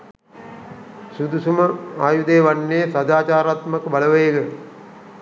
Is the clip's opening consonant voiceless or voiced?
voiceless